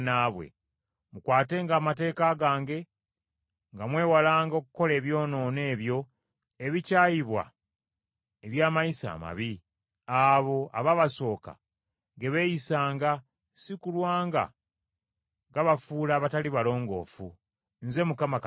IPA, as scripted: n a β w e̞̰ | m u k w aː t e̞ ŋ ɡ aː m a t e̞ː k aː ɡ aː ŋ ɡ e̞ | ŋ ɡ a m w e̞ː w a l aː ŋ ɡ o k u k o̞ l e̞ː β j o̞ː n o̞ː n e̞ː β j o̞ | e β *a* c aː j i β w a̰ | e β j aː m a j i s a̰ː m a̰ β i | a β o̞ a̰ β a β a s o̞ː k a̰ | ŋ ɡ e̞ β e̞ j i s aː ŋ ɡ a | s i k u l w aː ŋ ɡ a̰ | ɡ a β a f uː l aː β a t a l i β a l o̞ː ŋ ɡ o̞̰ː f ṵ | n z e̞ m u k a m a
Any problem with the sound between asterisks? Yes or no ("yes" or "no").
yes